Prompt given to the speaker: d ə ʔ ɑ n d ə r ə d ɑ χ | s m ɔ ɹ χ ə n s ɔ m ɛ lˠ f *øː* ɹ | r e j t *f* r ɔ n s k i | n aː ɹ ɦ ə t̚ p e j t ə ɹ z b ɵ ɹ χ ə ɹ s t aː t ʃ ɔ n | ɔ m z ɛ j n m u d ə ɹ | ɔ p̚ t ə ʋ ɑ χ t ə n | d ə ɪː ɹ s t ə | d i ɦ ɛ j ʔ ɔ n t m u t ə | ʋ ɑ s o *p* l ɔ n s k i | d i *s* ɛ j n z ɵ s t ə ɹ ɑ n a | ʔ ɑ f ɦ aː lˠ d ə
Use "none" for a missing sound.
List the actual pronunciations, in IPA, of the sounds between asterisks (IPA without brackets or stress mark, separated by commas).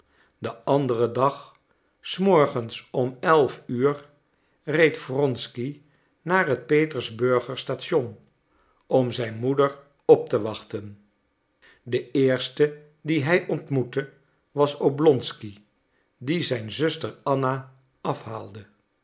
yː, f, b, z